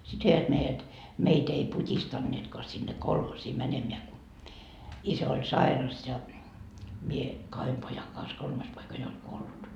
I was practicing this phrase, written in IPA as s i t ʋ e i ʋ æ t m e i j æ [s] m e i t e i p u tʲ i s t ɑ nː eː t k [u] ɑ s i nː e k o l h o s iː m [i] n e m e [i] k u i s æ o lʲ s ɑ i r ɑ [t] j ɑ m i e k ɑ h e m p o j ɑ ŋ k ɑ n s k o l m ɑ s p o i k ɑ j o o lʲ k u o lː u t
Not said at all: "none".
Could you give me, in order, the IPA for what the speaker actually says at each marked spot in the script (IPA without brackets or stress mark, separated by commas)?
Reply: t, o, æ, æ, s